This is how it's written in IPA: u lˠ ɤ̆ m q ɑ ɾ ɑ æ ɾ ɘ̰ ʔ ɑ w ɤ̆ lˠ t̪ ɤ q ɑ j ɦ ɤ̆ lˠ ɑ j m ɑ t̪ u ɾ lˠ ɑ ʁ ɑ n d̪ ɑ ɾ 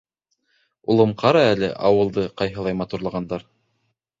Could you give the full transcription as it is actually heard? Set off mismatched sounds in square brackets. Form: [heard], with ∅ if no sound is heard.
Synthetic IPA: u lˠ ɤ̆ m q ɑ ɾ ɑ æ [l] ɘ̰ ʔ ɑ w ɤ̆ lˠ [d̪] ɤ q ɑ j ɦ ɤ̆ lˠ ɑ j m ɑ t̪ u ɾ lˠ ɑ ʁ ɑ n d̪ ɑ ɾ